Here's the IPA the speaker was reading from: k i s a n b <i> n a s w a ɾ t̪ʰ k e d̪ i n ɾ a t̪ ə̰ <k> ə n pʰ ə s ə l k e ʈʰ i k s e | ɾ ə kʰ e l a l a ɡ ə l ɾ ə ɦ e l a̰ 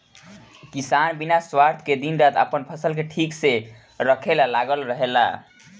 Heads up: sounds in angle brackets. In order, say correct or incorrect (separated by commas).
correct, incorrect